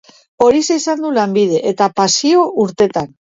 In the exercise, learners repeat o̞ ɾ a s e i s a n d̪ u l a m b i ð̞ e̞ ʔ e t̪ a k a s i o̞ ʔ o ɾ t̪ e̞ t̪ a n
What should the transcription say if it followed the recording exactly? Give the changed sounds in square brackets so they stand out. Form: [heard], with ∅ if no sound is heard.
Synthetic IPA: o̞ ɾ [i] s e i s a n d̪ u l a m b i ð̞ e̞ ʔ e t̪ a [p] a s i o̞ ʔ [u] ɾ t̪ e̞ t̪ a n